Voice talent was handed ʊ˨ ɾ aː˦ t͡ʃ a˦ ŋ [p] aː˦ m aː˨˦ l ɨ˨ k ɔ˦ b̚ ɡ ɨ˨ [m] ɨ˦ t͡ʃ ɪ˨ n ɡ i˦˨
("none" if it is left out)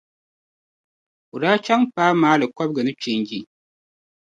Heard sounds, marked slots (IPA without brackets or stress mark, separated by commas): p, n